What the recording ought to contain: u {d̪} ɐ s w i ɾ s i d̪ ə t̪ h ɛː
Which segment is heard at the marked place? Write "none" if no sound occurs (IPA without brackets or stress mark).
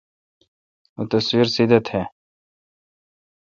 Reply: t̪